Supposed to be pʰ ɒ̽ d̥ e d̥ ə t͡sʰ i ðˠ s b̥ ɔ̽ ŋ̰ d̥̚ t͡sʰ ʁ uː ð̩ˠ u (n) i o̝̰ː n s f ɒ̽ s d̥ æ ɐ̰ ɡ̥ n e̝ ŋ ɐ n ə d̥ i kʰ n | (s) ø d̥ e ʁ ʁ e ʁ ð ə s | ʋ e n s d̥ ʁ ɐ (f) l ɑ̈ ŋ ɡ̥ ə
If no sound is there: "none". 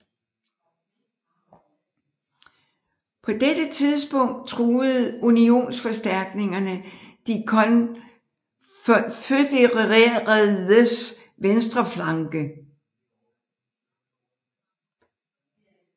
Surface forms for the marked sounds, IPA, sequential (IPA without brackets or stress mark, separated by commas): n, f, f